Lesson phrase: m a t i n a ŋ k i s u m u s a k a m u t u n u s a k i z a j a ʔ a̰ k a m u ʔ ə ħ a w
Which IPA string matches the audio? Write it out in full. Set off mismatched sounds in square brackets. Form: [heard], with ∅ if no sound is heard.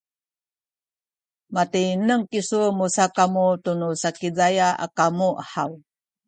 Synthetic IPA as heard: m a t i n [ə] ŋ k i s u m u s a k a m u t u n u s a k i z a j a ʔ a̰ k a m u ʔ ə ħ a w